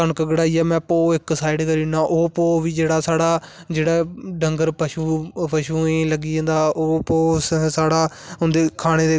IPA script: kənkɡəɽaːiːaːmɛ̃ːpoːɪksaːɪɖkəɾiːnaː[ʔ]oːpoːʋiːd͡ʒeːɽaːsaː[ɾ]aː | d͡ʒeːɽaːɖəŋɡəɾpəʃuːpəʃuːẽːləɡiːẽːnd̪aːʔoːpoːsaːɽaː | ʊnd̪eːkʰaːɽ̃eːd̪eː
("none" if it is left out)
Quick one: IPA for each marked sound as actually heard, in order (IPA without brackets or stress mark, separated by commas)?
ʔ, ɽ